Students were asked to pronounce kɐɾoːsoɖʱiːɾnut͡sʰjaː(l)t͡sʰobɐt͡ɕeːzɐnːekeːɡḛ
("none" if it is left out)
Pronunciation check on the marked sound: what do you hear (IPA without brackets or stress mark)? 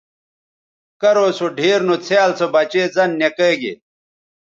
l